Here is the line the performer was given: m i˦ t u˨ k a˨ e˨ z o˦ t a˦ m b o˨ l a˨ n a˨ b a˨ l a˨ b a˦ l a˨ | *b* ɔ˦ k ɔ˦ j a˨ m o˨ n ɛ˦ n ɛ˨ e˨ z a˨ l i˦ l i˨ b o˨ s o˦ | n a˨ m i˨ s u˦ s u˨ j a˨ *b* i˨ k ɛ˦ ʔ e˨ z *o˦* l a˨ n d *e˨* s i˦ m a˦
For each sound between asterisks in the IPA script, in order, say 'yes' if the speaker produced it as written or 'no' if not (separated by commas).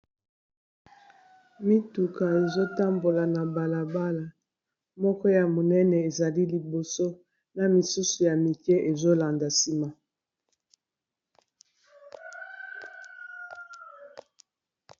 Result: no, no, yes, no